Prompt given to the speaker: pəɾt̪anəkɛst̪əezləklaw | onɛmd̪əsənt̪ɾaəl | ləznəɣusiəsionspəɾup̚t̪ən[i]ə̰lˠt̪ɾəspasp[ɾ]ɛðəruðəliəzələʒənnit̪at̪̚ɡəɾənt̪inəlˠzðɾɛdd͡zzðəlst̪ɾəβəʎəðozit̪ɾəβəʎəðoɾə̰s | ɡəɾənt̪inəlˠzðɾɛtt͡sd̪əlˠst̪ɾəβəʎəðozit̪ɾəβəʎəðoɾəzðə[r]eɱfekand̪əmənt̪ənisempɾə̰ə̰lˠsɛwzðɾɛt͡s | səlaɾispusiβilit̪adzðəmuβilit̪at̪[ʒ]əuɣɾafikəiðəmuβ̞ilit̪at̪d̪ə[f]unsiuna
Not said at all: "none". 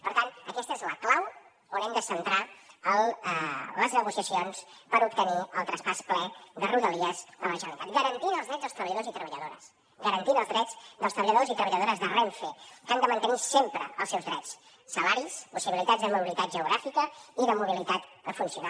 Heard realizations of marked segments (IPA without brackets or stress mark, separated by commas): i, l, r, ʒ, f